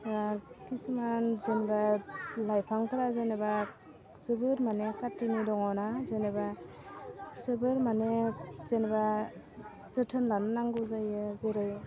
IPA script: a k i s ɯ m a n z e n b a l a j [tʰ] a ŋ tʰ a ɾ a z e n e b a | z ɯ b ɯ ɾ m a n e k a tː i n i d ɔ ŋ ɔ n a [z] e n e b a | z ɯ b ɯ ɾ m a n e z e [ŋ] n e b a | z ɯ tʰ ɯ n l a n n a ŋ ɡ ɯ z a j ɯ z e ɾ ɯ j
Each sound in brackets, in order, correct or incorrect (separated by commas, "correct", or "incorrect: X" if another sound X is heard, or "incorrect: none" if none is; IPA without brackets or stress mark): incorrect: pʰ, correct, incorrect: none